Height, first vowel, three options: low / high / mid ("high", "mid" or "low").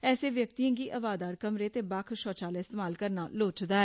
mid